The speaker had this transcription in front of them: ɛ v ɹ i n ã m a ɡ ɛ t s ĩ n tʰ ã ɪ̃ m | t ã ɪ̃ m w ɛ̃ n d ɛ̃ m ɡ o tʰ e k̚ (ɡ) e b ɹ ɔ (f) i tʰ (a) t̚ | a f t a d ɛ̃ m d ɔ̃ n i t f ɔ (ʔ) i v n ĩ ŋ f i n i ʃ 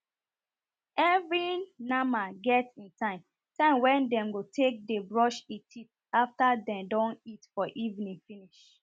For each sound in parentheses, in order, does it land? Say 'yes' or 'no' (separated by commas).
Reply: no, no, no, yes